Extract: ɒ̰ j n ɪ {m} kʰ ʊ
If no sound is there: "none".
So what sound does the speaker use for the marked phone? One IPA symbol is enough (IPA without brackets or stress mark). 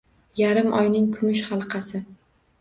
ŋ